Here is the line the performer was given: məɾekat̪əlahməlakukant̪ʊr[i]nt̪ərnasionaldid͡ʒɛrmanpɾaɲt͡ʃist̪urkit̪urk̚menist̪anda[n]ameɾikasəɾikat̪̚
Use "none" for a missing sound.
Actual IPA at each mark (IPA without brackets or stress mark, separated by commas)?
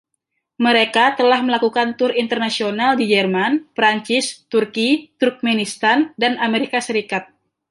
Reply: i, n